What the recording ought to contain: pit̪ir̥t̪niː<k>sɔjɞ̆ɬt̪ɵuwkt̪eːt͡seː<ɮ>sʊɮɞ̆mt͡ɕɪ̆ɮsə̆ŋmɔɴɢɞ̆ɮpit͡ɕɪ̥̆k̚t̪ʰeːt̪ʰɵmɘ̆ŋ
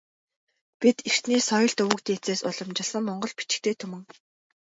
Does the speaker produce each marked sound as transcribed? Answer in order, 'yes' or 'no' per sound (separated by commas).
no, no